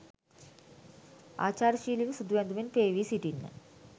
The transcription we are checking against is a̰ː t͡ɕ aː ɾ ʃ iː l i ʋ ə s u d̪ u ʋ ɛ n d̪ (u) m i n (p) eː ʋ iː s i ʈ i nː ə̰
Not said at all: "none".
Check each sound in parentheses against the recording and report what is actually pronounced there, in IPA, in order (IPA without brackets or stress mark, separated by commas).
u, p